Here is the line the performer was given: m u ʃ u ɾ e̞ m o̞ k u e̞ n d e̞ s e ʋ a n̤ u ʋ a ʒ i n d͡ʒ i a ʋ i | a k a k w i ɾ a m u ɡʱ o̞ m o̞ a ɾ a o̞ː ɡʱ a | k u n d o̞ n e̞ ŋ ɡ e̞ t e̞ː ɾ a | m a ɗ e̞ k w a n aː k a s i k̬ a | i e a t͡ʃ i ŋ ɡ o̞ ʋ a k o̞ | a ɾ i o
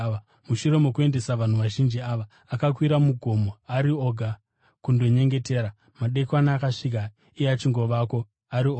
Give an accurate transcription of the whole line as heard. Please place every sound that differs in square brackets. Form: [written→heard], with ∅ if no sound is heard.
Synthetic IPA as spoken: m u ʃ u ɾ e̞ m o̞ k u e̞ n d e̞ s [e→a] ʋ a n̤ u ʋ a ʒ i n d͡ʒ i a ʋ [i→a] | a k a k w i ɾ a m u ɡʱ o̞ m o̞ a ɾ [a→i] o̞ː ɡʱ a | k u n d o̞ [n→ɲ] e̞ ŋ ɡ e̞ t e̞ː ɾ a | m a ɗ e̞ k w a n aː k a [s→ʂ] i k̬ a | i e a t͡ʃ i ŋ ɡ o̞ ʋ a k o̞ | a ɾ i o